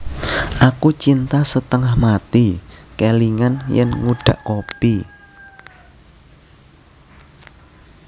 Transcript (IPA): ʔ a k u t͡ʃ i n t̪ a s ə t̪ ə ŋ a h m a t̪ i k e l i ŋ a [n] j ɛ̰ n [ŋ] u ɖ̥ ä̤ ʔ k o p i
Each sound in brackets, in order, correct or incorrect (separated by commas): correct, correct